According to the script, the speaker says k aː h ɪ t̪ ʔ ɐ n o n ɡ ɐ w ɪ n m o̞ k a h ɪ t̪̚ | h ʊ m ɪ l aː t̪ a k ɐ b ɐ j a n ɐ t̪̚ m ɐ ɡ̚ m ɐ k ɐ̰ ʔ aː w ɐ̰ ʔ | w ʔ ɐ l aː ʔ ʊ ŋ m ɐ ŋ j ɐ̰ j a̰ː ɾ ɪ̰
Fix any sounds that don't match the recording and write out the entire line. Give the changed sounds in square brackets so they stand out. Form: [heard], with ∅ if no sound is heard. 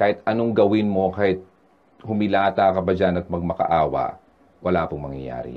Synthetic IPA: k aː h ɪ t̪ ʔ ɐ n o [ŋ] ɡ ɐ w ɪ n m o̞ k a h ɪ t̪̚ | h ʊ m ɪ l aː t̪ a k ɐ b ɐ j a n ɐ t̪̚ m ɐ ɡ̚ m ɐ k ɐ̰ ʔ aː w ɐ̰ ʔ | w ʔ ɐ l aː [p] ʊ ŋ m ɐ ŋ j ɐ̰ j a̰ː ɾ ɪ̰